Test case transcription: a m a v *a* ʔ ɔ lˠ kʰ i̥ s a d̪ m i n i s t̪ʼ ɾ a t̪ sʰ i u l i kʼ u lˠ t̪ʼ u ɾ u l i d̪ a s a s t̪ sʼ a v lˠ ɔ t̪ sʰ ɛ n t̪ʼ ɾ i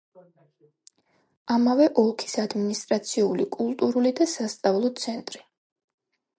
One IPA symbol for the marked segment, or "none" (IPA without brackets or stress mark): ɛ